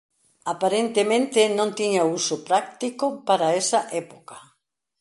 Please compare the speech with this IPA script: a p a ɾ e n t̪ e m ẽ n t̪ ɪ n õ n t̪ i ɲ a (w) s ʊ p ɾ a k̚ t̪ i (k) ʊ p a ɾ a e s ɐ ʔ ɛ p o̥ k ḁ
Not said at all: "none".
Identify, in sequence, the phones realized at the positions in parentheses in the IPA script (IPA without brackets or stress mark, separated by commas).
u, k